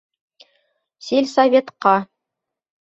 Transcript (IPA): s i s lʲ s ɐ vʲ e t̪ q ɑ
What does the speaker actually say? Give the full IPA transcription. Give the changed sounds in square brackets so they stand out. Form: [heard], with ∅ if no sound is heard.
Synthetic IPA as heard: s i [∅] lʲ s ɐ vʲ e t̪ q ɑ